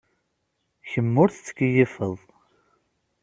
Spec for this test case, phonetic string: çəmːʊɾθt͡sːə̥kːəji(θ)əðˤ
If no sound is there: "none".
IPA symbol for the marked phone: f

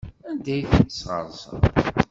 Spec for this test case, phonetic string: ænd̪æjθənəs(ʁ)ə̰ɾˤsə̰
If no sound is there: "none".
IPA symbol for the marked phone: ʁ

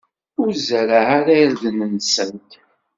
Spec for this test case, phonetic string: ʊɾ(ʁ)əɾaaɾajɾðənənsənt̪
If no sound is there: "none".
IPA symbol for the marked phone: z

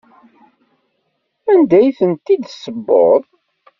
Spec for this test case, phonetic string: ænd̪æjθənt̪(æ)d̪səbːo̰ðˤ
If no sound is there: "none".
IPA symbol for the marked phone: i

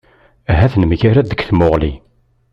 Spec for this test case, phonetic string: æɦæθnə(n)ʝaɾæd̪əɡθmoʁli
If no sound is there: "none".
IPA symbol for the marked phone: m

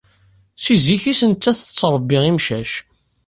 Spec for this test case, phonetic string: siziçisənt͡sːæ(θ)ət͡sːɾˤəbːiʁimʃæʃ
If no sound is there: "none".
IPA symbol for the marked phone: θ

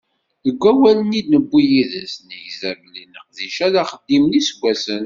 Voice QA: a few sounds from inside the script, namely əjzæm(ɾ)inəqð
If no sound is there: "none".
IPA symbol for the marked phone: l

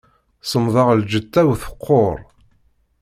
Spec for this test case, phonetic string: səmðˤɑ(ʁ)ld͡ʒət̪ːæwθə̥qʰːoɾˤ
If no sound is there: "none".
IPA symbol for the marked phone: ʁ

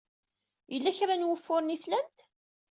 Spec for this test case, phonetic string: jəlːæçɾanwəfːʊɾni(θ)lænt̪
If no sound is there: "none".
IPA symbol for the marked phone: θ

